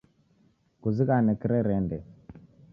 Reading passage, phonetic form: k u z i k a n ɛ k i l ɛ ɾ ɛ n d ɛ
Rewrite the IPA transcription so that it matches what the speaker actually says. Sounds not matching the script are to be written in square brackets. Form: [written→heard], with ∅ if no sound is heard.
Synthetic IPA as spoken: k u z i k a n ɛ k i [l→ɾ] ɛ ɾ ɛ n d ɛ